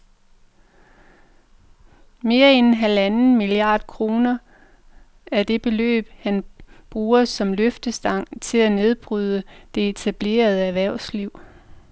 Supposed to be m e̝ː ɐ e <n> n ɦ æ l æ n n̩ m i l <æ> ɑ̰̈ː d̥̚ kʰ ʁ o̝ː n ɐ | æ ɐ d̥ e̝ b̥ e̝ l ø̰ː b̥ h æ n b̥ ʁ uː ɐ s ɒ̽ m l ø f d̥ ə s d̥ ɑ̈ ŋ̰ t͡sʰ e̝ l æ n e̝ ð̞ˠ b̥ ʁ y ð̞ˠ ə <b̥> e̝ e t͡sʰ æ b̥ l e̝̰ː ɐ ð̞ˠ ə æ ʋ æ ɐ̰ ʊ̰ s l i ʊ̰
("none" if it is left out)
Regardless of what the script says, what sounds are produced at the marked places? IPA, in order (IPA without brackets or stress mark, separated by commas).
n, i, d̥